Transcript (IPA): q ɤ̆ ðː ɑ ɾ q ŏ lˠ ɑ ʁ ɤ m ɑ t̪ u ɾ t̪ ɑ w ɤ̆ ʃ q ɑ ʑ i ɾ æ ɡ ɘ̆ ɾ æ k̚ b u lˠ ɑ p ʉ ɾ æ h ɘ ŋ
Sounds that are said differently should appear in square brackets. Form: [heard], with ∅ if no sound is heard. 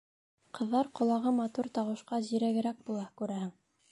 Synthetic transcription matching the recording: q ɤ̆ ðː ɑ ɾ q ŏ lˠ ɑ ʁ ɤ m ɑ t̪ u ɾ t̪ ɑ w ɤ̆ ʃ q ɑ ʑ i ɾ æ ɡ ɘ̆ ɾ æ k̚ b u lˠ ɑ [k] ʉ ɾ æ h ɘ ŋ